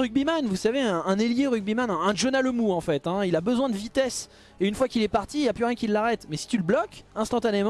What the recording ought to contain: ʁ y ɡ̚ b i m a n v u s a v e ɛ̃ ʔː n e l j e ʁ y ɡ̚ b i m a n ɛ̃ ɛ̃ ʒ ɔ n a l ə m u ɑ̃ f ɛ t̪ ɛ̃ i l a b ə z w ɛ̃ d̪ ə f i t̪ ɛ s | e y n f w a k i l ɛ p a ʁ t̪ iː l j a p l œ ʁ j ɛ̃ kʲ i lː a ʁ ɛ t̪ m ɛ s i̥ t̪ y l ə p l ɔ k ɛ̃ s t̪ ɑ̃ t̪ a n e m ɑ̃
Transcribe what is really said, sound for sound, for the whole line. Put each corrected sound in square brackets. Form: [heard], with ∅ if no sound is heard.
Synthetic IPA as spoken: ʁ y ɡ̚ b i m a n v u s a v e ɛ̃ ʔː n e l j e ʁ y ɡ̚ b i m a n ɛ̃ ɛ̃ ʒ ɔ n a l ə m u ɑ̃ f ɛ t̪ ɛ̃ i l a b ə z w ɛ̃ d̪ ə [v] i t̪ ɛ s | e y n f w a k i l ɛ p a ʁ t̪ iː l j a p l [y] ʁ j ɛ̃ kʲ i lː a ʁ ɛ t̪ m ɛ s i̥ t̪ y l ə [b] l ɔ k ɛ̃ s t̪ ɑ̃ t̪ a n e m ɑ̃